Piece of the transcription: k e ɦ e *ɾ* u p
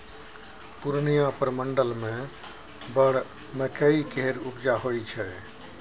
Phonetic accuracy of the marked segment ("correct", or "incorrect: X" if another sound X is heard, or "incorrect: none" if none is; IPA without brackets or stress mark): correct